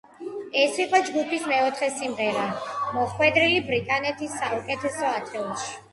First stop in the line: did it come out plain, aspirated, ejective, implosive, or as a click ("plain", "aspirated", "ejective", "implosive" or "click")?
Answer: ejective